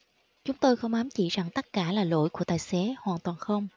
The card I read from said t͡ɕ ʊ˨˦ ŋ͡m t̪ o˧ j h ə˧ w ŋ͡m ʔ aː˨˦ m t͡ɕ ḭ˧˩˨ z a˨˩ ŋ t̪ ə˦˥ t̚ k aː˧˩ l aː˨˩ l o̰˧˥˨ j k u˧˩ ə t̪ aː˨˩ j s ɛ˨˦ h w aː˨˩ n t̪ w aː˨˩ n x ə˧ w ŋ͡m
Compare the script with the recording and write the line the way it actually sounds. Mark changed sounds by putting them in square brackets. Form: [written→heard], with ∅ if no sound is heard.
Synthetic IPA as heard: t͡ɕ ʊ˨˦ ŋ͡m t̪ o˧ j [h→x] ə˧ w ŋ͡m ʔ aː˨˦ m t͡ɕ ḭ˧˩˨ z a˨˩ ŋ t̪ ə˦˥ t̚ k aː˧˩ l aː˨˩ l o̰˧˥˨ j k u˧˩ ə t̪ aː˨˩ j s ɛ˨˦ h w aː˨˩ n t̪ w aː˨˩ n x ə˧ w ŋ͡m